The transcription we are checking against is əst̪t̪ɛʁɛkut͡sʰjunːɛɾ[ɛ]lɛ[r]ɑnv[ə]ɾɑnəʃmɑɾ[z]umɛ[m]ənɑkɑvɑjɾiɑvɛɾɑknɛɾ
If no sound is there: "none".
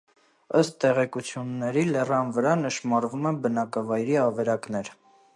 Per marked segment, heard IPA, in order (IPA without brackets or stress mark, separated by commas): i, r, ə, v, b